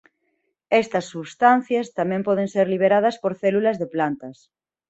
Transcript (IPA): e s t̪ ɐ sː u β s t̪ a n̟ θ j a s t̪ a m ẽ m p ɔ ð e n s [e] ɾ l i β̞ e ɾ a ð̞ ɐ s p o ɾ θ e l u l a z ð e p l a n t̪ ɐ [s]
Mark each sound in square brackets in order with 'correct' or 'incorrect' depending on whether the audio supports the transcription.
correct, correct

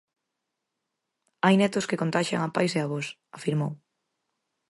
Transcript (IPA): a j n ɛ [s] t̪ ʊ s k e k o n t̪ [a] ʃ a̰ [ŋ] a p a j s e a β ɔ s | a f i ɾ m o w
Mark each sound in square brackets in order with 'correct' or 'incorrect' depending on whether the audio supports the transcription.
incorrect, correct, correct

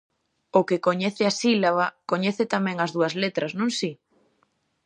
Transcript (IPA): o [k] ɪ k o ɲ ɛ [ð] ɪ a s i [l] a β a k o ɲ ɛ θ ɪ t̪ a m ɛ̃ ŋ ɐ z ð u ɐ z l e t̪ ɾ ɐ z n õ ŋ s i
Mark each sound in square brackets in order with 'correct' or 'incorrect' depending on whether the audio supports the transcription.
correct, incorrect, correct

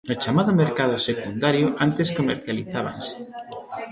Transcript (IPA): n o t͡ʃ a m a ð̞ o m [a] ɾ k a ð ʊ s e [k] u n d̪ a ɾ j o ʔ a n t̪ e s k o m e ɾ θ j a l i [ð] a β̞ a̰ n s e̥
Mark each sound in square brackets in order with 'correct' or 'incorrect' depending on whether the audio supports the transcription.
incorrect, correct, incorrect

